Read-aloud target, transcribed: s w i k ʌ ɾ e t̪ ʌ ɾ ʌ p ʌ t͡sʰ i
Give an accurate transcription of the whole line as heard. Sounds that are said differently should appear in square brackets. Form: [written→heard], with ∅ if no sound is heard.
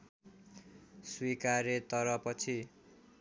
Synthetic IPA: s w i k [ʌ→a] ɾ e t̪ ʌ ɾ ʌ p ʌ t͡sʰ i